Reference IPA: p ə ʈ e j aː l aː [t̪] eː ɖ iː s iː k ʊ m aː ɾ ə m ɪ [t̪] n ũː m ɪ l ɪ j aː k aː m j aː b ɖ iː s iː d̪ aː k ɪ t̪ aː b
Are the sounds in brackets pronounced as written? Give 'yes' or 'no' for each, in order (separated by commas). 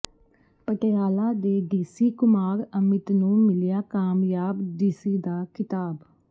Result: no, yes